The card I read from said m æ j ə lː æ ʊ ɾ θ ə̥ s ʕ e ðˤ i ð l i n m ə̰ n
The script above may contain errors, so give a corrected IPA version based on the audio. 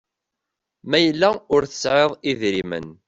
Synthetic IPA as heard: m æ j ə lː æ ʊ ɾ θ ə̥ s ʕ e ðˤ i ð ɾ i m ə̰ n